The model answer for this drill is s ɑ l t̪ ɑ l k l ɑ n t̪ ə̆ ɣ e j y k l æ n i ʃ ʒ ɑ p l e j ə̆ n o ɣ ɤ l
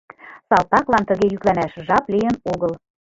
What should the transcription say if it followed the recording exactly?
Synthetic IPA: s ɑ l t̪ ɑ k l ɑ n t̪ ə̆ ɣ e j y k l æ n æ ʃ ʒ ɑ p l i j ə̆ n o ɣ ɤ l